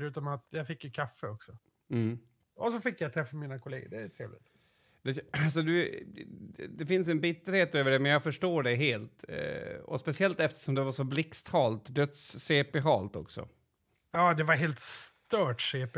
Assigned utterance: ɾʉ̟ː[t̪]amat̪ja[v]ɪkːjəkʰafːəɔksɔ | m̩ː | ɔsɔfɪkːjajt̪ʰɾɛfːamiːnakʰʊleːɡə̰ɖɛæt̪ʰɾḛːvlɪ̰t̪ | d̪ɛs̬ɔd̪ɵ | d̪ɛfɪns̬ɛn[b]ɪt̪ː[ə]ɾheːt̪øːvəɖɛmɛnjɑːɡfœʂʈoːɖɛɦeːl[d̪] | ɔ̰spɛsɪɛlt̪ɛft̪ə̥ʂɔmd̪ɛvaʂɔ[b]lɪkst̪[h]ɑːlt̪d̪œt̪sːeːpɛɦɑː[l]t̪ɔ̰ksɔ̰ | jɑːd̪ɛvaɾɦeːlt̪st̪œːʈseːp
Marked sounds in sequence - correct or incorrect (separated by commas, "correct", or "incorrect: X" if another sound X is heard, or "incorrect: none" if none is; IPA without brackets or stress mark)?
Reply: correct, incorrect: f, correct, correct, incorrect: t̪, correct, correct, correct